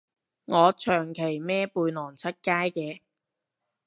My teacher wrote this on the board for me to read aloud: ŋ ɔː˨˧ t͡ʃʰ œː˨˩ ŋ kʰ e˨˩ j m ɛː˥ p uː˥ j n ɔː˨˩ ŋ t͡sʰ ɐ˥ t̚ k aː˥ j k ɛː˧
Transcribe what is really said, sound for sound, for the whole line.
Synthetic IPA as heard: ŋ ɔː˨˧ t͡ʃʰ œː˨˩ ŋ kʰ e˨˩ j m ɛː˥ p uː˧ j n ɔː˨˩ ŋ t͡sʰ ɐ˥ t̚ k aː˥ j k ɛː˧